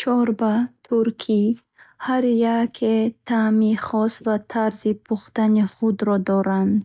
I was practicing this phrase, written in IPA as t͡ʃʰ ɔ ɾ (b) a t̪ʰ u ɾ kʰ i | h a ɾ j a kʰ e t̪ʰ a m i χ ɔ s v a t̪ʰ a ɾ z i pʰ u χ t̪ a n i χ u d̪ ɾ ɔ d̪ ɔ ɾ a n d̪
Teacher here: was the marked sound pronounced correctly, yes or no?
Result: yes